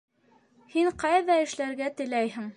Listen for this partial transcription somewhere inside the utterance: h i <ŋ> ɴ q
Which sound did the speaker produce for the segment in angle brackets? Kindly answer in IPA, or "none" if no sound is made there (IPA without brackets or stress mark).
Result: none